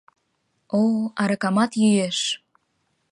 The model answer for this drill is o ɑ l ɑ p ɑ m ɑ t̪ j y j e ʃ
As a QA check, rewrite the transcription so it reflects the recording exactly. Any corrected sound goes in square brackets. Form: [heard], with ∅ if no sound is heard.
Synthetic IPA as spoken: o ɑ [ɾ] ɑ [k] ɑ m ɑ t̪ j y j e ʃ